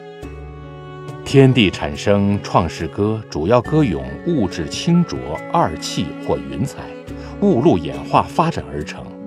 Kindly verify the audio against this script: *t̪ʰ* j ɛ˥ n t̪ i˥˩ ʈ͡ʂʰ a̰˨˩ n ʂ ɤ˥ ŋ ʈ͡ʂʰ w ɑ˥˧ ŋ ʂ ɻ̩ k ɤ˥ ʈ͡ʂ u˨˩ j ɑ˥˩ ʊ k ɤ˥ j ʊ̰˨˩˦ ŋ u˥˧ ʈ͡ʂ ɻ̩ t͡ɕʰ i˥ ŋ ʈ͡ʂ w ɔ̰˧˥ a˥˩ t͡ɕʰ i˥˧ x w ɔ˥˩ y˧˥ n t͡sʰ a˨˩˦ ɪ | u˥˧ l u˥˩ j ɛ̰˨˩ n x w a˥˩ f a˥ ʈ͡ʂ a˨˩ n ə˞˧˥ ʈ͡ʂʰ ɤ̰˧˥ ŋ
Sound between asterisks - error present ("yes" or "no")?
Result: no